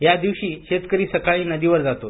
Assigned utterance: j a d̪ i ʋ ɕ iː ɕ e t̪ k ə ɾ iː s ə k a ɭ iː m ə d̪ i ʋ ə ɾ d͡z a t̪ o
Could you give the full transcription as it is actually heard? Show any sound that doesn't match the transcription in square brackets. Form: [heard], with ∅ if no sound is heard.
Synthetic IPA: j a d̪ i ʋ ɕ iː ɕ e t̪ k ə ɾ iː s ə k a ɭ iː [n] ə d̪ i ʋ ə ɾ d͡z a t̪ o